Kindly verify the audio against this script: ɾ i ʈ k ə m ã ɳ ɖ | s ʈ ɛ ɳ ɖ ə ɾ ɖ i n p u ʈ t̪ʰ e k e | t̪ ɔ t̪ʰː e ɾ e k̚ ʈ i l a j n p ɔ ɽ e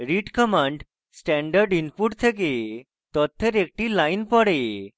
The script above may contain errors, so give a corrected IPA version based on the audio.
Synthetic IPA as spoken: ɾ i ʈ k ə m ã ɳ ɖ | s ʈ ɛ ɳ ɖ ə ɾ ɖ i n p u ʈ t̪ʰ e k e | t̪ ɔ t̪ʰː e ɾ e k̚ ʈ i l a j n p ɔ ɽ e